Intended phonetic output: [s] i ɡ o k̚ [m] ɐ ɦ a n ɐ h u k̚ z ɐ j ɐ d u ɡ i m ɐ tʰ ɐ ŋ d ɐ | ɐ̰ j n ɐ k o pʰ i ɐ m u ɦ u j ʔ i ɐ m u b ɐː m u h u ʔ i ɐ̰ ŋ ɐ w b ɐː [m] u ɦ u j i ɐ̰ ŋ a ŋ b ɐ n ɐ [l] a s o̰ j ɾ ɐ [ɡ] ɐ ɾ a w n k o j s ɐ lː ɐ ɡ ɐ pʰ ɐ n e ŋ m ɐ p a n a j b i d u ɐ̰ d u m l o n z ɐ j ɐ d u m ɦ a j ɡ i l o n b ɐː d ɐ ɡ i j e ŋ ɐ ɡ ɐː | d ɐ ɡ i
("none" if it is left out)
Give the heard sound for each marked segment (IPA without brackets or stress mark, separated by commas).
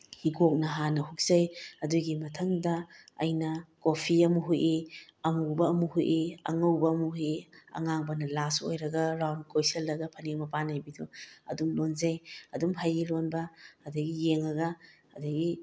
h, n, m, l, ɡ